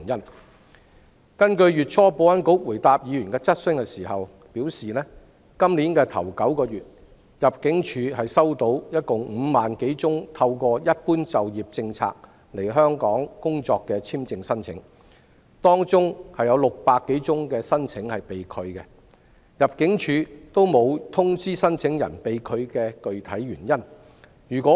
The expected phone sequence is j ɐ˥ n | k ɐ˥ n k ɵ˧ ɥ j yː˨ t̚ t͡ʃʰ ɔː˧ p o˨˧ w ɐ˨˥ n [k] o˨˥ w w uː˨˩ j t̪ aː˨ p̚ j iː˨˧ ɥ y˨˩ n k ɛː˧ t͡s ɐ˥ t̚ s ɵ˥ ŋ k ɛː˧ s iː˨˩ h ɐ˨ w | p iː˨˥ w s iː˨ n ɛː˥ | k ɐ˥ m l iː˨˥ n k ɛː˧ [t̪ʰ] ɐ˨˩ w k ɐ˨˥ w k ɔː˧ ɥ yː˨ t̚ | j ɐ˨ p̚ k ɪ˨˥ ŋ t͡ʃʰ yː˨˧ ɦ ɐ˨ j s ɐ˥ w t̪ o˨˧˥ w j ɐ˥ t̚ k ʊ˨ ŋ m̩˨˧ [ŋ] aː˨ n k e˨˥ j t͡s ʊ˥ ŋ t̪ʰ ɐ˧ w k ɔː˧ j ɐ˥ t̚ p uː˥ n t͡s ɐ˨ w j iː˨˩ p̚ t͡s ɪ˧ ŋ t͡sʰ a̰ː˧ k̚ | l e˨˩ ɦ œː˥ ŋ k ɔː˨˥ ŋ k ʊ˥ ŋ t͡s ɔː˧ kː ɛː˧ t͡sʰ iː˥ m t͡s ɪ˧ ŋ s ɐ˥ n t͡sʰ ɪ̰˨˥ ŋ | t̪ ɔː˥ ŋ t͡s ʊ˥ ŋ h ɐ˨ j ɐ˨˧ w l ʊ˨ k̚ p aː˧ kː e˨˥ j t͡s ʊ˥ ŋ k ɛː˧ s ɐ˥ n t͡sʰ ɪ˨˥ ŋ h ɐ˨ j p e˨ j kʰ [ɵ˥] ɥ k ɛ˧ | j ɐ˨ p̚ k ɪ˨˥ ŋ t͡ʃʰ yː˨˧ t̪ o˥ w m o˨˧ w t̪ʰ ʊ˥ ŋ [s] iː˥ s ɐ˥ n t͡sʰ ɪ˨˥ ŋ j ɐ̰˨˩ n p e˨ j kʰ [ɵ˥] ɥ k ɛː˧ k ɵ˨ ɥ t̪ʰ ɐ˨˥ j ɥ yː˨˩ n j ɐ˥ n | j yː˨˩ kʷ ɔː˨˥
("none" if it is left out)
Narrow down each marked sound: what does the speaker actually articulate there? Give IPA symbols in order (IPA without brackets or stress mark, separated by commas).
k, t̪ʰ, m, ɵ˨˧, t͡s, ɵ˨˧